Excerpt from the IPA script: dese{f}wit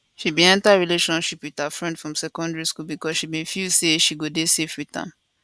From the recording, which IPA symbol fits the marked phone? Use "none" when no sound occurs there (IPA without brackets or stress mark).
f